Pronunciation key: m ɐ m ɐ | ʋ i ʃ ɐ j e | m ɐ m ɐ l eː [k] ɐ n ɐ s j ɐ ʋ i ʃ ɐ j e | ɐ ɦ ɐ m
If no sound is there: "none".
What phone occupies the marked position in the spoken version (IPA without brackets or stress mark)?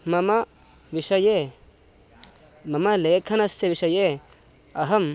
kʰ